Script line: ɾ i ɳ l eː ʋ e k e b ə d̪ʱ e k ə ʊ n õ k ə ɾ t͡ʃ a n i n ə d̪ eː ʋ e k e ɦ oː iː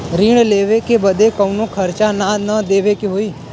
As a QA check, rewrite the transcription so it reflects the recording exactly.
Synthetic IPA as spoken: ɾ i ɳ l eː ʋ e k e b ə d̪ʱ e k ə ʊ n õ kʰ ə ɾ t͡ʃ a n a n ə d̪ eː ʋ e k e ɦ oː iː